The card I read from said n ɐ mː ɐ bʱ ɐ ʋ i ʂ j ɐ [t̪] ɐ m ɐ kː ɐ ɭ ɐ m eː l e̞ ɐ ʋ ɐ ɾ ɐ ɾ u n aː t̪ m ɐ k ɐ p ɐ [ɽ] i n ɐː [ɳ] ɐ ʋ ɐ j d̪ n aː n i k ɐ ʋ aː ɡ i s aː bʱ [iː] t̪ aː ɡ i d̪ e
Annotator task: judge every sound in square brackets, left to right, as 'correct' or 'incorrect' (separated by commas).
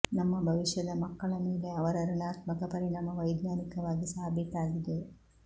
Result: incorrect, incorrect, incorrect, incorrect